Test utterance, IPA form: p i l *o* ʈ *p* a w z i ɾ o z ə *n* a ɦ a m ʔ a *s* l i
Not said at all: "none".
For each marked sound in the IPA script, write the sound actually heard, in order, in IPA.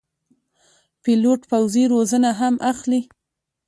o, p, n, x

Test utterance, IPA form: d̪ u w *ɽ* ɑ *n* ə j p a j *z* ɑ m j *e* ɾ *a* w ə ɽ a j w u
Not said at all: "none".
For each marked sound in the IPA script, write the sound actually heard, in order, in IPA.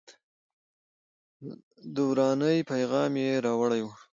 ɾ, n, ɣ, e, ɑ

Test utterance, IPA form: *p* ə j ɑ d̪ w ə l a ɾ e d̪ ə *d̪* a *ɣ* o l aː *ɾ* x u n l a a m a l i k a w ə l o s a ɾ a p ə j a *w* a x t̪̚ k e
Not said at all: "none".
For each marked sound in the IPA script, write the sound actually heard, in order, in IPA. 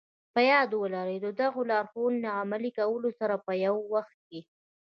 p, d̪, ɣ, ɾ, wː

